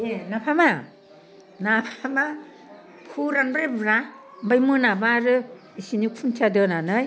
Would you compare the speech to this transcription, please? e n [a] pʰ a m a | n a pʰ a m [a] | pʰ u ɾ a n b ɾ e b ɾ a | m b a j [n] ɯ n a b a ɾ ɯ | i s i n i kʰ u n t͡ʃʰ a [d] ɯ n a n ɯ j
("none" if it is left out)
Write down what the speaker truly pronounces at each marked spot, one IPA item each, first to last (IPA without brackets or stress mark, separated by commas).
a, a, m, d